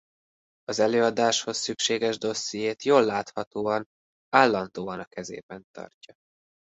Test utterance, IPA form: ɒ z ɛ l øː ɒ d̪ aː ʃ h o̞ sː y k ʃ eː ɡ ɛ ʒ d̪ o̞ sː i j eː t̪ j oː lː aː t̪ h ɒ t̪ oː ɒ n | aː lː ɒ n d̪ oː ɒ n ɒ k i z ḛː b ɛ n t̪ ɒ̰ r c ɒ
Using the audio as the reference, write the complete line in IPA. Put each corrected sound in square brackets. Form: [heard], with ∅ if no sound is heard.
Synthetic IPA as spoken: ɒ z ɛ l øː ɒ d̪ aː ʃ h o̞ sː y k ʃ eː ɡ ɛ ʒ d̪ o̞ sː i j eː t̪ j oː lː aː t̪ h ɒ t̪ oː ɒ n | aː lː ɒ n d̪ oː ɒ n ɒ k [ɛ] z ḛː b ɛ n t̪ ɒ̰ r c ɒ